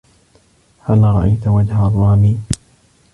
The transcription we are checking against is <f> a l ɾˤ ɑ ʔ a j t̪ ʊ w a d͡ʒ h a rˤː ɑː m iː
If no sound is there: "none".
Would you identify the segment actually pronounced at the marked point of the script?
h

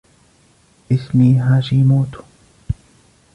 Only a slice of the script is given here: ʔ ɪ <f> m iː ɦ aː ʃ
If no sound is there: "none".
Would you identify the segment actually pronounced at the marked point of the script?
s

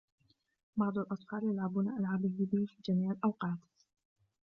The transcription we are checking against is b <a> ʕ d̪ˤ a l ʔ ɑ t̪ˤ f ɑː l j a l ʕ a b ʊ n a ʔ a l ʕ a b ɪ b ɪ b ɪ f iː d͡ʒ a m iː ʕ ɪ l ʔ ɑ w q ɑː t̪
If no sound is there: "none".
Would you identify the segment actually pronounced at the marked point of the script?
ɑ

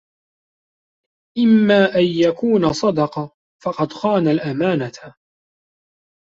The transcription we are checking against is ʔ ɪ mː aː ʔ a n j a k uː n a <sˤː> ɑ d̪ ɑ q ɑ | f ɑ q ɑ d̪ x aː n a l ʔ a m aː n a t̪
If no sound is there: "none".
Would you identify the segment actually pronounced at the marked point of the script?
sˤ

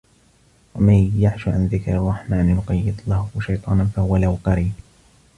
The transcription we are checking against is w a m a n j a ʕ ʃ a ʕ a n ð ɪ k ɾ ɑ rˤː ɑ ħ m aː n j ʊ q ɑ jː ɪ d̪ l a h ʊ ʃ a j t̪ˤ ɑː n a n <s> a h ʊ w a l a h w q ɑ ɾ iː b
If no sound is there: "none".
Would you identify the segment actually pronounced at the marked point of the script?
f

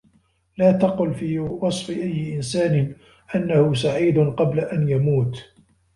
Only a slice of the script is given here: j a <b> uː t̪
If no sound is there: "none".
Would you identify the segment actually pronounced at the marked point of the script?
m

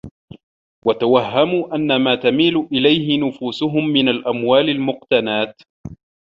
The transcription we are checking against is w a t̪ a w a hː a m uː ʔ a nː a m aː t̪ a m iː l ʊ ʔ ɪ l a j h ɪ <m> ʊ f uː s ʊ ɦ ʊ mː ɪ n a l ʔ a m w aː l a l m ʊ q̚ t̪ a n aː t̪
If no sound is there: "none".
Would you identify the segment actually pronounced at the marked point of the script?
n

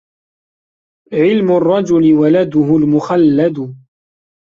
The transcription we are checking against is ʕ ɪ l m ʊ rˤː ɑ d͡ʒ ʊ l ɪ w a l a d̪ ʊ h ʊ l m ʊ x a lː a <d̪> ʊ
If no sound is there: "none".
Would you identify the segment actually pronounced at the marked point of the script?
d̪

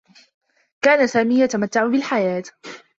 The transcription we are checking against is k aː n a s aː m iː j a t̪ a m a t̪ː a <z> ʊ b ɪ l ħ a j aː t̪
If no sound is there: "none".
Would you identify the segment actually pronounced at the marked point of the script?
ʕ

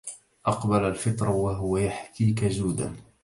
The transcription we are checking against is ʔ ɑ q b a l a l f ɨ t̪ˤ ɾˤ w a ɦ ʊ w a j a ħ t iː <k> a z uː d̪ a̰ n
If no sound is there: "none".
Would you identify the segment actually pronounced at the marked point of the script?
k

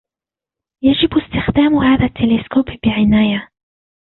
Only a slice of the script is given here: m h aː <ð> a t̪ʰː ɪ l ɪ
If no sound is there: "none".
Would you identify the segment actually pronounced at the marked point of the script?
ð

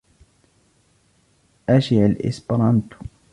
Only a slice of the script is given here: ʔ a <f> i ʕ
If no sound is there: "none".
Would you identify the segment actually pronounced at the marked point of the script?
ʃ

